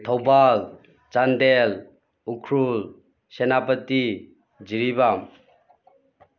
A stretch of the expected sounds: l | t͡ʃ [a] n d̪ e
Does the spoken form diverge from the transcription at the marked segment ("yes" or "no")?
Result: no